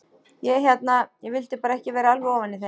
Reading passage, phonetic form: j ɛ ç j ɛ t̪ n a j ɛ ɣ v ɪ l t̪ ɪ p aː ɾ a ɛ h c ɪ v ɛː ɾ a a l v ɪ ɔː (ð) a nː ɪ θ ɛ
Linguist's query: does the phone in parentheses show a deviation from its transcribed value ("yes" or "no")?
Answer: yes